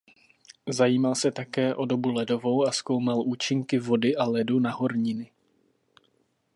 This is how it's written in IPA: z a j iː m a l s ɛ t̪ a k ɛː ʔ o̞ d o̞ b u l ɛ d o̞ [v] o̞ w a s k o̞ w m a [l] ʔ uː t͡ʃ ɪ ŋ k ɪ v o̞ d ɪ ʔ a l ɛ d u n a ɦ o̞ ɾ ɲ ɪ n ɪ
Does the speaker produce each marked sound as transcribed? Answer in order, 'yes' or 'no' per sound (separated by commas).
yes, yes